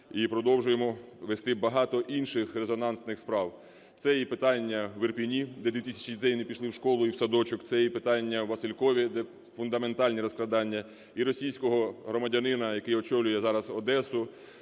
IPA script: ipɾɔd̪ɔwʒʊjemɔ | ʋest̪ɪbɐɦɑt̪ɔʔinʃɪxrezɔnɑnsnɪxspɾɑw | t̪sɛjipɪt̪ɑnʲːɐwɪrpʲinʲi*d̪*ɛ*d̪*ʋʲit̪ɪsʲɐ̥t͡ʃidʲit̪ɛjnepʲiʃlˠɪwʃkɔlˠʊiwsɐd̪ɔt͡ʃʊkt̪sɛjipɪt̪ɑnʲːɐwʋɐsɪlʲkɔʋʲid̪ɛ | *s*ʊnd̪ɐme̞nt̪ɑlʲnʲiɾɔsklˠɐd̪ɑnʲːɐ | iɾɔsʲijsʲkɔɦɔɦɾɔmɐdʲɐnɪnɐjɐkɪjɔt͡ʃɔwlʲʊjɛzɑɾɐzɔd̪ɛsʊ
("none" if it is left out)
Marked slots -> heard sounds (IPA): d̪, d̪, f

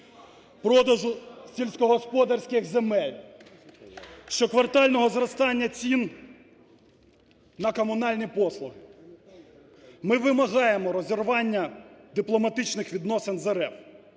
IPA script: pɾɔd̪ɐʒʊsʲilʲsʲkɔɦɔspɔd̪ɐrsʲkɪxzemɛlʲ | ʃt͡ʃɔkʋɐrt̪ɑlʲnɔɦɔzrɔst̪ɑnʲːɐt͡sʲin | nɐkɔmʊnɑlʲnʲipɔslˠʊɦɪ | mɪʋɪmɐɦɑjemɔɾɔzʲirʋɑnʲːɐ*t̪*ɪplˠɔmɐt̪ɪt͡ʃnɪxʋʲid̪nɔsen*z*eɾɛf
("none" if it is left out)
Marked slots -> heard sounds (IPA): d̪, z

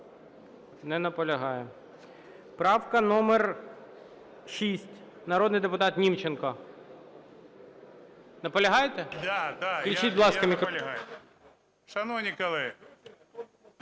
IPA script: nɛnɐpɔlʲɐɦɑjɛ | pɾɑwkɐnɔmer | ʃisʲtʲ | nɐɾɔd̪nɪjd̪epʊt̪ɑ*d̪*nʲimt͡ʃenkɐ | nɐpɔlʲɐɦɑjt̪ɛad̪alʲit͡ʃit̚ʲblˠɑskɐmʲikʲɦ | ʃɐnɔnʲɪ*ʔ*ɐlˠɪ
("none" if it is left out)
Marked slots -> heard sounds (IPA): t̪, k

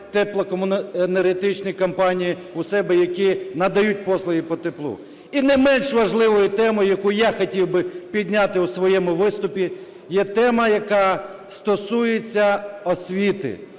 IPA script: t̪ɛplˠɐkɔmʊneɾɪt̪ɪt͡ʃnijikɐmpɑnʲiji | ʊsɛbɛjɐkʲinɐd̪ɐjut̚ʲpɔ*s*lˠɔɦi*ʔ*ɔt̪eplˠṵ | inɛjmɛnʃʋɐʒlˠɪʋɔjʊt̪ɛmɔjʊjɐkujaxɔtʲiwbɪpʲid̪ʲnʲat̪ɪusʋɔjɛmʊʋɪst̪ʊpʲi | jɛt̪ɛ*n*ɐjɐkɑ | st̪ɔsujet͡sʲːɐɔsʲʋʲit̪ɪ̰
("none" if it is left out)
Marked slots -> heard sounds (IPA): s, p, m

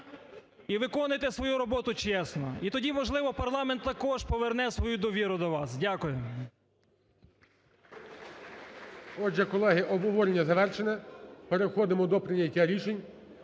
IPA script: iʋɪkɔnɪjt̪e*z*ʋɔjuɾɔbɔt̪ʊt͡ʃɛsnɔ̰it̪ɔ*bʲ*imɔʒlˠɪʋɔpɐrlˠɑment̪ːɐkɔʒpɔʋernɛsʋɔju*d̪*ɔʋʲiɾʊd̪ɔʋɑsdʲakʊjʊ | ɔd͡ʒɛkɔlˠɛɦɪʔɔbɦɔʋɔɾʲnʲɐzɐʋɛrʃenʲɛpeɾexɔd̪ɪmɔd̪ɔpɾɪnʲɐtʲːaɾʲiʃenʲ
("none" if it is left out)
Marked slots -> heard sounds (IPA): s, dʲ, d̪

